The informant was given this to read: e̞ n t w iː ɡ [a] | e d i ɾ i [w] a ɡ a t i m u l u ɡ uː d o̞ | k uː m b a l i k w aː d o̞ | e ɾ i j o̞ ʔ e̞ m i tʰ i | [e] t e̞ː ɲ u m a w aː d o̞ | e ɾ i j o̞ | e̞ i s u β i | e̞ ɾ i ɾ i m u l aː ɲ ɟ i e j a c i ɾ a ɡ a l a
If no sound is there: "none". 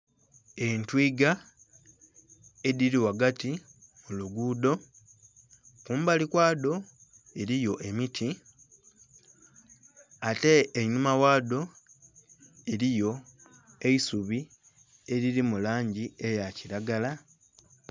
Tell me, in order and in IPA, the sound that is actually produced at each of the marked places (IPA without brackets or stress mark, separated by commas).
a, w, a